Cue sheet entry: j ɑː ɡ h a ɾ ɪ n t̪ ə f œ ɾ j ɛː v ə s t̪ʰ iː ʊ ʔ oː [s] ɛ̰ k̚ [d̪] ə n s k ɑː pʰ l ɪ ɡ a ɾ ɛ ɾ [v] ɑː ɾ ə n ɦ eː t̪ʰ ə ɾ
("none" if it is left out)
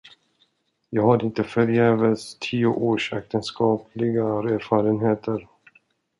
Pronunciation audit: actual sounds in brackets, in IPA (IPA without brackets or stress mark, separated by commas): ʂ, t̪, f